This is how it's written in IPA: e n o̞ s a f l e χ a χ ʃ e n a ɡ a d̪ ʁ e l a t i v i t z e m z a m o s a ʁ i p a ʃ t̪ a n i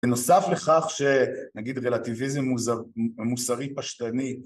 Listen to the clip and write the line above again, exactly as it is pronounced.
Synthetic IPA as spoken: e n o̞ s a f l e χ a χ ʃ e n a ɡ i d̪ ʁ e l a t i v i z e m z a m u s a ʁ i p a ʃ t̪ a n i